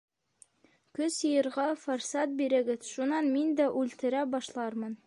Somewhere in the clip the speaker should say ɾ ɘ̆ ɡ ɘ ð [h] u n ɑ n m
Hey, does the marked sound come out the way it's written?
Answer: no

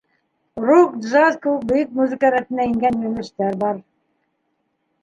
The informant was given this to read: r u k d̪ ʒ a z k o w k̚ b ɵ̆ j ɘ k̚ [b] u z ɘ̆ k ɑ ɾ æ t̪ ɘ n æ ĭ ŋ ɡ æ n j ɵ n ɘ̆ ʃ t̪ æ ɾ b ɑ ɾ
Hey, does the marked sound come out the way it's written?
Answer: no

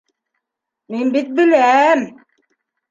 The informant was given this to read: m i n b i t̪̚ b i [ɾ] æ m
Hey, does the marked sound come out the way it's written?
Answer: no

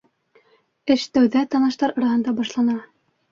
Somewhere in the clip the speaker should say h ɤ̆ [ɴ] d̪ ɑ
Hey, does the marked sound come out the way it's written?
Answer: no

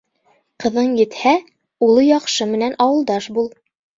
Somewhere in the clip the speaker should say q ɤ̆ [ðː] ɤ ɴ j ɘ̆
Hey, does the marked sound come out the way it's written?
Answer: no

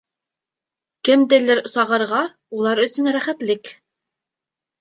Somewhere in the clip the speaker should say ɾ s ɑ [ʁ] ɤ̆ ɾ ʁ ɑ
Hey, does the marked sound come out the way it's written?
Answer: yes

